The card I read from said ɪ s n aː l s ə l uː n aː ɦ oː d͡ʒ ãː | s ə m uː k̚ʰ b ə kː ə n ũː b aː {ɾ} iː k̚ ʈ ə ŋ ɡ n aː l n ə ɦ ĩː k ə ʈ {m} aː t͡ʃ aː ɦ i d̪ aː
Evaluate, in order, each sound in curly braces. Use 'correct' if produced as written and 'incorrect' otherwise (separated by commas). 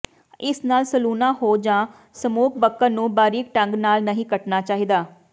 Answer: correct, incorrect